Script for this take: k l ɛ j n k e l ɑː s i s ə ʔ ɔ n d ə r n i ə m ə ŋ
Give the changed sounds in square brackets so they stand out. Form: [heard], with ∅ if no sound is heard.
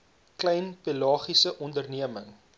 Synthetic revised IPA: k l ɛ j n [p] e l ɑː [χ] i s ə ʔ ɔ n d ə r n i ə m ə ŋ

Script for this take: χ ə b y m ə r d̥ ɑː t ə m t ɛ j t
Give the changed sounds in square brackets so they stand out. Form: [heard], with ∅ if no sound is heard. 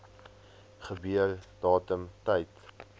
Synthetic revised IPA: χ ə b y [∅] ə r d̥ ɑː t ə m t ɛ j t

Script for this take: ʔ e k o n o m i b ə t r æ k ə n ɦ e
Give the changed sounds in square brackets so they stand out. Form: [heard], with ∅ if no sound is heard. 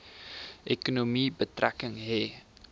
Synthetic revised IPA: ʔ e k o n o m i b ə t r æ k ə [ŋ] ɦ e

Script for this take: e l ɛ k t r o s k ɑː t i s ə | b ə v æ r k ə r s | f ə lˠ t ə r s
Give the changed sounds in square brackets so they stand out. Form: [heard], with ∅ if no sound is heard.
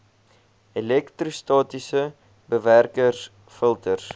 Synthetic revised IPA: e l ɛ k t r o s [t] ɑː t i s ə | b ə v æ r k ə r s | f ə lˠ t ə r s

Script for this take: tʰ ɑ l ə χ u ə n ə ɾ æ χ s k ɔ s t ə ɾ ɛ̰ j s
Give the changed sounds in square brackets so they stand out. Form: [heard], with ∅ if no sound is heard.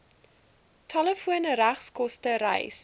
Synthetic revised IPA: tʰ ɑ l ə [f] u ə n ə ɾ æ χ s k ɔ s t ə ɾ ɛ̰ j s

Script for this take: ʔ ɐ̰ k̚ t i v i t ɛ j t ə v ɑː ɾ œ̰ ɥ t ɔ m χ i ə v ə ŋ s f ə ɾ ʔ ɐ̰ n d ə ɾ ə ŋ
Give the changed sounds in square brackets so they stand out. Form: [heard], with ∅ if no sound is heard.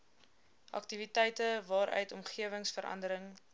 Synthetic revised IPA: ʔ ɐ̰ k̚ t i v i t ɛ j t ə v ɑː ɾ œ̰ ɥ t ɔ m χ i ə v ə ŋ s f ə ɾ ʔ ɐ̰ n d ə ɾ ə ŋ

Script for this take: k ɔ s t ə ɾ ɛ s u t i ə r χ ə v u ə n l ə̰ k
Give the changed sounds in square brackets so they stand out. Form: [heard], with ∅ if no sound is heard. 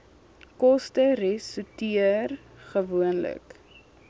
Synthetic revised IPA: k ɔ s t ə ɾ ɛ s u t i ə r χ ə v u ə n l ə̰ k

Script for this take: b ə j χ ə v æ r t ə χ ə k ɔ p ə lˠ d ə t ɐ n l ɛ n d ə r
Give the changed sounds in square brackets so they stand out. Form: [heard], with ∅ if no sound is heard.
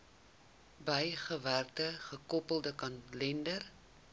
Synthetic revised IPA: b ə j χ ə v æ r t ə χ ə k ɔ p ə lˠ d ə [k] ɐ n l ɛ n d ə r

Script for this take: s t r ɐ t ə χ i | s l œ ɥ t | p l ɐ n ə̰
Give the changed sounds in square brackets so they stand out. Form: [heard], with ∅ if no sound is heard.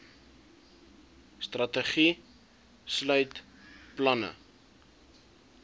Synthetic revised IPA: s t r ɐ t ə χ i | s l œ ɥ t | p l ɐ n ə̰

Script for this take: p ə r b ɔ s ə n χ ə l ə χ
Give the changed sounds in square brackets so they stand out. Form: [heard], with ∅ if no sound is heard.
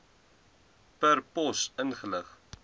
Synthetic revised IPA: p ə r [p] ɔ s ə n χ ə l ə χ

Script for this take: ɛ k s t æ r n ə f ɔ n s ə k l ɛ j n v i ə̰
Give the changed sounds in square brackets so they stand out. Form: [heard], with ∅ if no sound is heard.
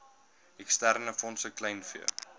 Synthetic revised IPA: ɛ k s t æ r n ə f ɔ n s ə k l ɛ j n [f] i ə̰

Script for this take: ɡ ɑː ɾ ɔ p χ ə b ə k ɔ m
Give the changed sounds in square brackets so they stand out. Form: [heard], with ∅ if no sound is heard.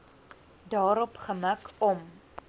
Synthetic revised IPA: [d] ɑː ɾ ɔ p χ ə [m] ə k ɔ m

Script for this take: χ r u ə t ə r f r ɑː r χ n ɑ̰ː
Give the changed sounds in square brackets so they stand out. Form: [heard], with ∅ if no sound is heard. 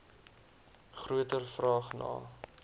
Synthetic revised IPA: χ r u ə t ə r f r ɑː [∅] χ n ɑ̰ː

